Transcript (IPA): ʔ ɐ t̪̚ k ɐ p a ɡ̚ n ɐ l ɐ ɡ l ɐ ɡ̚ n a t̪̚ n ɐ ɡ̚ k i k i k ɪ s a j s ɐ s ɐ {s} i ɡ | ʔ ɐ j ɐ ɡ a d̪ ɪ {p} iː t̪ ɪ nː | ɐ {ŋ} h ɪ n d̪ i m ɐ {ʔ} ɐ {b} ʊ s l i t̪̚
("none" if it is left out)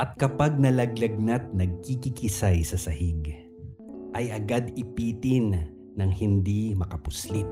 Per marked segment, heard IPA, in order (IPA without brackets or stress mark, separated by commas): h, p, ŋ, k, p